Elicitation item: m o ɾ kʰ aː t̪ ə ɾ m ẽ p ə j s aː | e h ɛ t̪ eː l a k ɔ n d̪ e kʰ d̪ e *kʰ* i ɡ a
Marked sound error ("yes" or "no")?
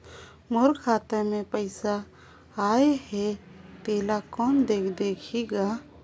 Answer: no